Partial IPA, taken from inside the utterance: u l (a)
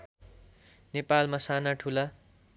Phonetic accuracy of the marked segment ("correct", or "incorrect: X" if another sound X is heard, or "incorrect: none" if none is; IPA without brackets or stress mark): correct